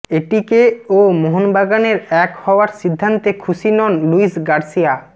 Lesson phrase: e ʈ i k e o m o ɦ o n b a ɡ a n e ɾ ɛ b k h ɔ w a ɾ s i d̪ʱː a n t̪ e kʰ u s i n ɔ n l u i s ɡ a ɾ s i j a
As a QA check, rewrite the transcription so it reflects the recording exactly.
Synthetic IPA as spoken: e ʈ i k e o m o ɦ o n b a ɡ a n e ɾ ɛ k h ɔ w a ɾ s i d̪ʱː a n t̪ e kʰ u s i n ɔ n l u i s ɡ a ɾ s i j a